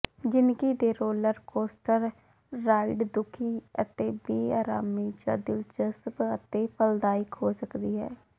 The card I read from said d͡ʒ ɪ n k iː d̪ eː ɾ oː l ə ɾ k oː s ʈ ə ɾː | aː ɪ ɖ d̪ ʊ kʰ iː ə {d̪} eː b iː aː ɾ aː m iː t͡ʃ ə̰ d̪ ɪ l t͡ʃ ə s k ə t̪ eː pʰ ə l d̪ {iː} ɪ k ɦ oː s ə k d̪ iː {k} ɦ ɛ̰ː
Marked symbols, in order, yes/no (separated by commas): no, no, no